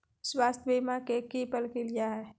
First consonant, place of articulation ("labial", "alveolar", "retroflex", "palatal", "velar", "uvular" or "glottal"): alveolar